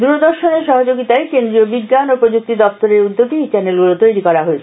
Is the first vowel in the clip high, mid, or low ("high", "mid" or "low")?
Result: high